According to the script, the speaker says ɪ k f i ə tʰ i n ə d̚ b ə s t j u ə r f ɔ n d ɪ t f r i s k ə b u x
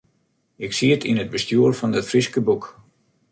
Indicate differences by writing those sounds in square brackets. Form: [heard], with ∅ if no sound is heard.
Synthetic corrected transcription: ɪ k [s] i ə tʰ i n ə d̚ b ə s t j u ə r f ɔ n d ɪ t f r i s k ə b u [k]

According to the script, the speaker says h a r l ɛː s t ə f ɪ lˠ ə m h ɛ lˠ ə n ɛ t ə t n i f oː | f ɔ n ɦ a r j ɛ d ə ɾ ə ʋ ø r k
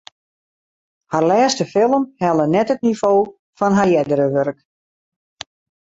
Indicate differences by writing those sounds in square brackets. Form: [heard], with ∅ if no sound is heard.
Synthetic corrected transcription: h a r l ɛː s t ə f ɪ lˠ ə m h ɛ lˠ ə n ɛ t ə t n i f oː | f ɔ n ɦ a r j ɛ d ə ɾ ə ʋ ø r k

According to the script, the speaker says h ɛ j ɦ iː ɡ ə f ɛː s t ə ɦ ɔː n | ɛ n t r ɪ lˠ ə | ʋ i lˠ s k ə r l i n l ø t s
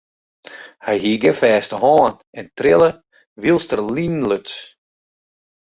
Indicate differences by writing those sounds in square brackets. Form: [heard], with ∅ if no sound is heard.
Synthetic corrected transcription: h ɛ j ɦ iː ɡ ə f ɛː s t ə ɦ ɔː n | ɛ n t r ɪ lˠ ə | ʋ i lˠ s [t] ə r l i n l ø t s

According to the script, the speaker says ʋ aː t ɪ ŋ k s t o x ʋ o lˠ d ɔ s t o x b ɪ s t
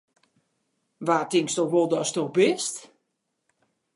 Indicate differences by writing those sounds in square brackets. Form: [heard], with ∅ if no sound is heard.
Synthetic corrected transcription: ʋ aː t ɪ ŋ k s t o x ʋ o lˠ d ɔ s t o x b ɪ s t

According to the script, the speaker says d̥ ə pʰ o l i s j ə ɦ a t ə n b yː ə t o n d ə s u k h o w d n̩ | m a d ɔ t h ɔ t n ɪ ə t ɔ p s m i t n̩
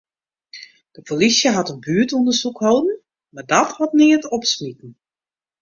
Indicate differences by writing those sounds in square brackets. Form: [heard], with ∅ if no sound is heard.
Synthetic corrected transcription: d̥ ə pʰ o l i s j ə ɦ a t ə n b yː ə t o n d ə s u k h o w d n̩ | m a d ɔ t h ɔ t n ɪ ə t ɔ p s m i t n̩

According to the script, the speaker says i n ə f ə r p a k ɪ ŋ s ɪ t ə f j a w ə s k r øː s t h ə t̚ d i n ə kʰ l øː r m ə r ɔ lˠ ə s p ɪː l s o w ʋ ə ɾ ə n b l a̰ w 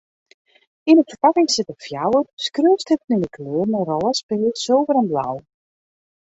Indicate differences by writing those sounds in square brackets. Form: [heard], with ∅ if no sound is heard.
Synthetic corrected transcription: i n ə f ə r p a k ɪ ŋ s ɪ t ə f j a w ə s k r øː s t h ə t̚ [n] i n ə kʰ l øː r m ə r ɔ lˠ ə s p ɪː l s o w [v] ə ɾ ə n b l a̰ w

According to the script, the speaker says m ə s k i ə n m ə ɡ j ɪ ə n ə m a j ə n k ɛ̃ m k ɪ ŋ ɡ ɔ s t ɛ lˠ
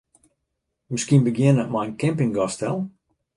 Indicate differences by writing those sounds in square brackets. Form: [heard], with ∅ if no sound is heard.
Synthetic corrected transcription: m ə s k i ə n [b] ə ɡ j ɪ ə n ə m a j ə n k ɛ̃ m [p] ɪ ŋ ɡ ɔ s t ɛ lˠ

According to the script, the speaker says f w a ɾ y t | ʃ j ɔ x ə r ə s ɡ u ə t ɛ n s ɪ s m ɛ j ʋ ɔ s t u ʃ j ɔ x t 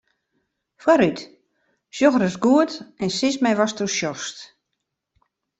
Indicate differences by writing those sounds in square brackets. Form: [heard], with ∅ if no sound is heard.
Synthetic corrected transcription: f w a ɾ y t | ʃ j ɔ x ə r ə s ɡ u ə t ɛ n s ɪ s m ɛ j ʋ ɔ s t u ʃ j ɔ [s] t

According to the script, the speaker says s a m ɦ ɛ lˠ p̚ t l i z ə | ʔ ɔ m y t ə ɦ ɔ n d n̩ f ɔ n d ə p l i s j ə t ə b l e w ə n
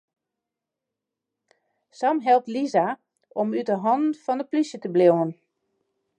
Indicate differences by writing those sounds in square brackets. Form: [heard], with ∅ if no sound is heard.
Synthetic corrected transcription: s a m ɦ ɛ lˠ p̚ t l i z [a] | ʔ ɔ m y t ə ɦ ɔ n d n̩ f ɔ n d ə p l i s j ə t ə b l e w ə n

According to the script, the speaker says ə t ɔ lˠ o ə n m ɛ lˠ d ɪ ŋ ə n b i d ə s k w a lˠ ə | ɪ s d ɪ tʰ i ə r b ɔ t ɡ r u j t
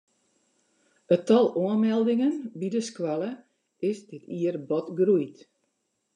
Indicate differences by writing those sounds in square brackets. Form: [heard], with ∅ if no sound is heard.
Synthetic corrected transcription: ə t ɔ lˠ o ə n m ɛ lˠ d ɪ ŋ ə n b i d ə s k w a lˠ ə | ɪ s d ɪ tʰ i ə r b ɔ t ɡ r u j t

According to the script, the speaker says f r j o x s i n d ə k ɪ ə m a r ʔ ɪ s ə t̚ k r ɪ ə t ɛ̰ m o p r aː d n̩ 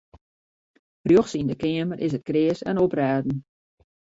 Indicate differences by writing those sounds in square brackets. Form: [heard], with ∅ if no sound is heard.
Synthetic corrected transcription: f r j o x s i n d ə k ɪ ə m [ə] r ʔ ɪ s ə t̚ k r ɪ ə [s] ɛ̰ [n] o p r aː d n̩

